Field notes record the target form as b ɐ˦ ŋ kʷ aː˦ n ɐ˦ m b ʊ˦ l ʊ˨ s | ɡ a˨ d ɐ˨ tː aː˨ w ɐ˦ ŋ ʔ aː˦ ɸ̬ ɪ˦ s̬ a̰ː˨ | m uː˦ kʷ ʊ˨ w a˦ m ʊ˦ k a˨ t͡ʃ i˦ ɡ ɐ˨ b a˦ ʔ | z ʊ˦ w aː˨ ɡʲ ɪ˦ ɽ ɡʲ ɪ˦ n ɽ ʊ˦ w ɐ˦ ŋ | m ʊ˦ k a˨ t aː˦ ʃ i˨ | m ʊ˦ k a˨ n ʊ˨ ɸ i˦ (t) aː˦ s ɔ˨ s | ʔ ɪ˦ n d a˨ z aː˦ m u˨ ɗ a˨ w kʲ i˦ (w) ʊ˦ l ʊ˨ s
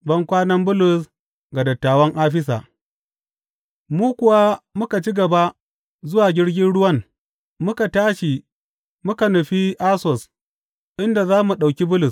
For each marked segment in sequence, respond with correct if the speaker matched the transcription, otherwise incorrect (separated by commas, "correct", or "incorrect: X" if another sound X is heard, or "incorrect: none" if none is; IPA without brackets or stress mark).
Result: incorrect: ʔ, incorrect: b